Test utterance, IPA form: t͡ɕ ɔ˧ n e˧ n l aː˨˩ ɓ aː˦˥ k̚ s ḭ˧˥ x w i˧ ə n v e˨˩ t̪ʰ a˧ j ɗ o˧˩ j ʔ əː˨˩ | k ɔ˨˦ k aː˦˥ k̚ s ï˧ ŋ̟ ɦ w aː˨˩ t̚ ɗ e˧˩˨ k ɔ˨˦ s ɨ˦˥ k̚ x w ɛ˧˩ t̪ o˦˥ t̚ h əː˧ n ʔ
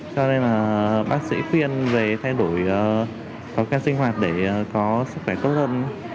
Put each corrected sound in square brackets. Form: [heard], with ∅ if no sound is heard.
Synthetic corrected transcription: t͡ɕ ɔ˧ n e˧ n l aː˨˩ ɓ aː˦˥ k̚ s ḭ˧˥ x w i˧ ə n v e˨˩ t̪ʰ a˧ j ɗ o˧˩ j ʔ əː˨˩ | k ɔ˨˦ k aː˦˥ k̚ s ï˧ ŋ̟ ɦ w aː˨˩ t̚ ɗ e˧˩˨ k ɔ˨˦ s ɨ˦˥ k̚ x w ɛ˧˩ t̪ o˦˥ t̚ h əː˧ n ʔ